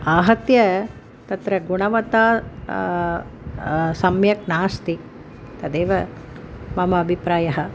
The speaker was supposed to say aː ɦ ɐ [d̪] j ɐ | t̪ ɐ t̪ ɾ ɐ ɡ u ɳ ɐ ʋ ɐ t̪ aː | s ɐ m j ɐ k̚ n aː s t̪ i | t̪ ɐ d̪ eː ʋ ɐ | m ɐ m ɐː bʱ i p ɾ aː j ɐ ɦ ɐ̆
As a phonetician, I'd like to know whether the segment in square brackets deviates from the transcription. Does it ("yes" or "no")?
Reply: yes